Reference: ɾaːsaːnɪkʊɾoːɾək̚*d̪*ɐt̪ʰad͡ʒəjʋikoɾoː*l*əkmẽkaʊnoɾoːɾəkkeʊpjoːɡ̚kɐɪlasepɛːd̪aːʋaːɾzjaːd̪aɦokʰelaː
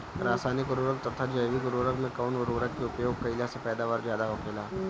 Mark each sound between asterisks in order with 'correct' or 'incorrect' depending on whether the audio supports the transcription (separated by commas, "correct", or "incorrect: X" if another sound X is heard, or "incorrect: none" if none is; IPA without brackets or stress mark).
incorrect: t̪, incorrect: ɾ